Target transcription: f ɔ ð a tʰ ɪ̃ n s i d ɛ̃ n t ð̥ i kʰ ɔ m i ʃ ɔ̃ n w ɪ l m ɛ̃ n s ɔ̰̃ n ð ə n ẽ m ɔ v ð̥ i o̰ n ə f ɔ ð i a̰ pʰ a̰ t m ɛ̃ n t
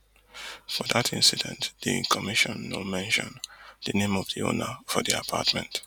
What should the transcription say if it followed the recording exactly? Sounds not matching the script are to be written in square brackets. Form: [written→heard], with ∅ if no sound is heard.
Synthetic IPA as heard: f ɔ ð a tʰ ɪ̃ n s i d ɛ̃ n t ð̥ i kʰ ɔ m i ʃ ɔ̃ n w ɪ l m ɛ̃ n [s→ʃ] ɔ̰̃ n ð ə n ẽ m ɔ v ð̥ i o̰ n ə f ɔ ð i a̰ pʰ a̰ t m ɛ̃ n t